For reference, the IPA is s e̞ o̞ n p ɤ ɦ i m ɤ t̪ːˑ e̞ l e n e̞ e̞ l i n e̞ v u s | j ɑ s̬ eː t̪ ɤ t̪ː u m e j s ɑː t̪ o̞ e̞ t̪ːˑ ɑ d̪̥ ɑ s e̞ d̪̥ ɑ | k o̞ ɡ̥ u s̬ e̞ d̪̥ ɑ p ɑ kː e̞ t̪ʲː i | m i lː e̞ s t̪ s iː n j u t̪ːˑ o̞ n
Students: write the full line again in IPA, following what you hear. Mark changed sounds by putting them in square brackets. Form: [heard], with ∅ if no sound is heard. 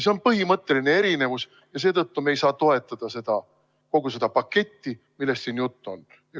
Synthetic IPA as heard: s e̞ o̞ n p ɤ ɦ i m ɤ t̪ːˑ e̞ l [i] n e̞ e̞ [ɾ] i n e̞ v u s | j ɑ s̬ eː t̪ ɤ t̪ː u m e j s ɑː t̪ o̞ e̞ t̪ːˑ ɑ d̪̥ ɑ s e̞ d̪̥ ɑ | k o̞ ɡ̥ u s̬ e̞ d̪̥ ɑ p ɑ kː e̞ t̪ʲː i | m i lː e̞ s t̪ s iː n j u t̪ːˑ o̞ n